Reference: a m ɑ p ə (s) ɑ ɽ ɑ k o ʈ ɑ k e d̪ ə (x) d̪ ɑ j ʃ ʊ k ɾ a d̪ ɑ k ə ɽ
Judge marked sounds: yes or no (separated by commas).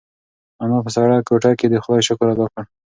yes, yes